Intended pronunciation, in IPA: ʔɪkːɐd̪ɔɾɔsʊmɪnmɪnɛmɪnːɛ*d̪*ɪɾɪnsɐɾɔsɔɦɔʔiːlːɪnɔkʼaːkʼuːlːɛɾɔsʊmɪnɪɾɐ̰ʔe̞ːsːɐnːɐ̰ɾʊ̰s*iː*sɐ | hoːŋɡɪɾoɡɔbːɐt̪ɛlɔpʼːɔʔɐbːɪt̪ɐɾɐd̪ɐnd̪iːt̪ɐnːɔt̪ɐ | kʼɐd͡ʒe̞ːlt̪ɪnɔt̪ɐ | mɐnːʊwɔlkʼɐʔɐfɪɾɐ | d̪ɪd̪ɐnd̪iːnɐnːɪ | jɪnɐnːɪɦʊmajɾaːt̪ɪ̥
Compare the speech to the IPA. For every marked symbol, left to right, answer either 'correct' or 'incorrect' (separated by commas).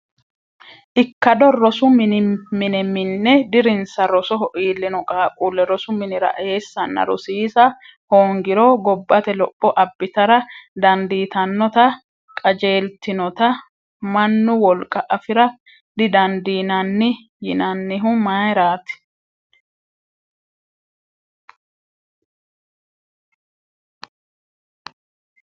correct, correct